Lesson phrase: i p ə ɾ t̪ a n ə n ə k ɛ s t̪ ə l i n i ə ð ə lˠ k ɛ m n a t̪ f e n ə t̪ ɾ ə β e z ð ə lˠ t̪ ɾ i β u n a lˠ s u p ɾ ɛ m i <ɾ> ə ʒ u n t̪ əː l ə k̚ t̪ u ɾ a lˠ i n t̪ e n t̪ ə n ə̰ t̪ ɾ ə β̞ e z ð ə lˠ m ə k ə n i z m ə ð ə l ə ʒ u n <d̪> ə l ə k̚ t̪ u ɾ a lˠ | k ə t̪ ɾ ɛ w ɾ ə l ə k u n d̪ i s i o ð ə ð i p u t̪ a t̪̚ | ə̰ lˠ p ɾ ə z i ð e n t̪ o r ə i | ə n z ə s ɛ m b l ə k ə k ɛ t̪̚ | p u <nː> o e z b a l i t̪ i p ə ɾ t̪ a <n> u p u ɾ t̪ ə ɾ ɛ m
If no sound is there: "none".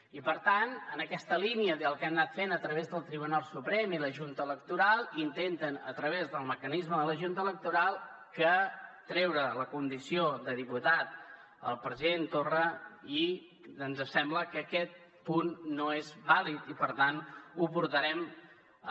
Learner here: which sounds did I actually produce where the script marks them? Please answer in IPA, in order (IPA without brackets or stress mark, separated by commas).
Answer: l, t̪, nː, n